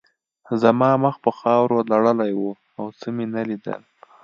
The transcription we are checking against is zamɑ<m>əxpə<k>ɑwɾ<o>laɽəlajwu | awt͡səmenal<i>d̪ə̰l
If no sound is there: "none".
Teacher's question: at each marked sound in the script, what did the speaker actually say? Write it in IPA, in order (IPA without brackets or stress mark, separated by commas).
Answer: m, x, o, i